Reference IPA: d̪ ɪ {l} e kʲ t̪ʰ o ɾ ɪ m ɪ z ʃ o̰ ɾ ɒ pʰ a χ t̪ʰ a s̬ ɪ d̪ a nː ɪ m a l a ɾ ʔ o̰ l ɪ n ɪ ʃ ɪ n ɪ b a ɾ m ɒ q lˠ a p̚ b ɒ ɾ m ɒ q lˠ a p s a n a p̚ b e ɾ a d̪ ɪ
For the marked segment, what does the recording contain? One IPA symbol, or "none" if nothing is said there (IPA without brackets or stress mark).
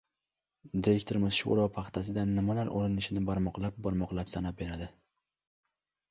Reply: ɾ